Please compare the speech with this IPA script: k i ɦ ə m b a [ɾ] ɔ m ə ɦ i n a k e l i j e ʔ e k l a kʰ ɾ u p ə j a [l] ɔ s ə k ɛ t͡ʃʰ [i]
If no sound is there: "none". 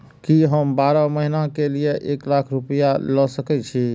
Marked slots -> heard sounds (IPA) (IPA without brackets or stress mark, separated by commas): ɾ, l, i